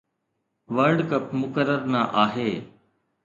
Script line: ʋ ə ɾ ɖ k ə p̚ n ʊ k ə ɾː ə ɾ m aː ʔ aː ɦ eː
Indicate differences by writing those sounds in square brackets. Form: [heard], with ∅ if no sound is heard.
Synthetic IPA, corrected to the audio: ʋ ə ɾ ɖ k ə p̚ [m] ʊ k ə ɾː ə ɾ [n] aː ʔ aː ɦ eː